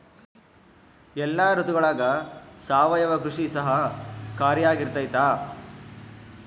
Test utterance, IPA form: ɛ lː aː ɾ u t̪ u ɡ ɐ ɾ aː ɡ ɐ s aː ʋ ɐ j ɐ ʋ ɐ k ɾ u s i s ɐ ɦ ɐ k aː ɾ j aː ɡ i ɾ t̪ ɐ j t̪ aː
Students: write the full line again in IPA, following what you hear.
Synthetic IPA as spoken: ɛ lː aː ɾ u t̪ u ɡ ɐ ɭ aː ɡ ɐ s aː ʋ ɐ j ɐ ʋ ɐ k ɾ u ʂ i s ɐ ɦ ɐ k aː ɾ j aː ɡ i ɾ t̪ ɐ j t̪ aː